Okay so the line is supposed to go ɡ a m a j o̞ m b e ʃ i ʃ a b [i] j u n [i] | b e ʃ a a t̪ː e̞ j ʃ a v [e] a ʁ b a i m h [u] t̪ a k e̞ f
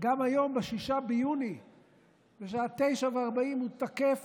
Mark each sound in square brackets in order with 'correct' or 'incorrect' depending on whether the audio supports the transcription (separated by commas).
incorrect, correct, correct, correct